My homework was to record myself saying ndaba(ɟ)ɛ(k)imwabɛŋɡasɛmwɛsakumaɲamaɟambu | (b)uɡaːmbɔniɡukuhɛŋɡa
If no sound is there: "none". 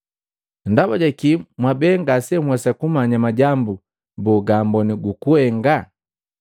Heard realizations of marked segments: ɟ, k, b

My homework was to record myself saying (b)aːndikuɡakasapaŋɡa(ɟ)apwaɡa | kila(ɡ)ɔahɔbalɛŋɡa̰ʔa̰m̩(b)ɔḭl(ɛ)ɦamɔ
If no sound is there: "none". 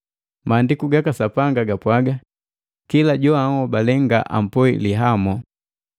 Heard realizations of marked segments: m, ɡ, ɟ, p, i

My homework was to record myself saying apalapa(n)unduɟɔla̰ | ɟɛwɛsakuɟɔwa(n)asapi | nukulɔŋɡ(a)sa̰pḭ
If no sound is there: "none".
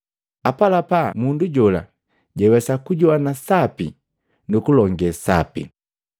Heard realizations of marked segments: m, n, ɛ

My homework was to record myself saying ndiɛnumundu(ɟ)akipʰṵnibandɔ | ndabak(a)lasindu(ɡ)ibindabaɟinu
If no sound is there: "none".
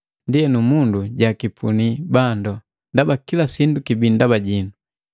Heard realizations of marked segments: ɟ, i, k

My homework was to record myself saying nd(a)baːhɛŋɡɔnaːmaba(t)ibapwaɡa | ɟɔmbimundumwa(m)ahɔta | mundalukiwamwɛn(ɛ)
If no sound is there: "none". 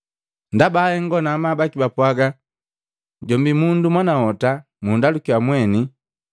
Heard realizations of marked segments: a, k, n, i

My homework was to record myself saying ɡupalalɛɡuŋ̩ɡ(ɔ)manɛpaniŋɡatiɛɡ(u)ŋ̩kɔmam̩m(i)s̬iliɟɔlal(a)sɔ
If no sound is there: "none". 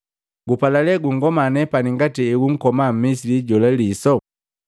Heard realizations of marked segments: ɔ, u, i, i

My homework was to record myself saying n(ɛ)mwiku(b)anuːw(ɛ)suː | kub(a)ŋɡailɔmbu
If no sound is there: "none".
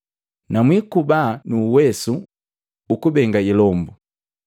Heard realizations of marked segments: a, b, ɛ, ɛ

